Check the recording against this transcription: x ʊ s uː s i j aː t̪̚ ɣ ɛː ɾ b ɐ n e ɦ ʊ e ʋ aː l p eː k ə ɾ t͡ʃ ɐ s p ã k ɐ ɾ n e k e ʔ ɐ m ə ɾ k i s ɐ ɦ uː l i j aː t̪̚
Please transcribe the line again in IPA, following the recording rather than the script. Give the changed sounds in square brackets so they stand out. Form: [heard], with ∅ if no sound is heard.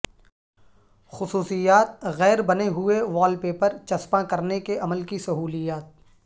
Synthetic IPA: x ʊ s uː s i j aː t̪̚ ɣ ɛː ɾ b ɐ n e ɦ ʊ e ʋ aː l p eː [p] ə ɾ t͡ʃ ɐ s p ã k ɐ ɾ n e k e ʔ ɐ m ə [l] k i s ɐ ɦ uː l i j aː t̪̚